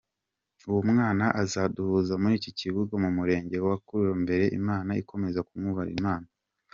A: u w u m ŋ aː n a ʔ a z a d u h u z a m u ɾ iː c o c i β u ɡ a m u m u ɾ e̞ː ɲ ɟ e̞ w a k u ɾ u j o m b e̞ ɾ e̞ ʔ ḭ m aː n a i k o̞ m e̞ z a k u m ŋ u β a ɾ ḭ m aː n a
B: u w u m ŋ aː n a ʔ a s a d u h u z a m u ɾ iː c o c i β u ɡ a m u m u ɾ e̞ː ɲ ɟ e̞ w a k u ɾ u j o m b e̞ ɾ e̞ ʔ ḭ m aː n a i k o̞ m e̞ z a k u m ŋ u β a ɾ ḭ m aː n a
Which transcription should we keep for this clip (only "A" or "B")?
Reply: A